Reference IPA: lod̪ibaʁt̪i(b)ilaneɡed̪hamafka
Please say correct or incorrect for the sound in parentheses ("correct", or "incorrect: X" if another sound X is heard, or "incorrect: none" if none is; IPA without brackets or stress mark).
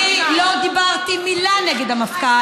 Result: incorrect: m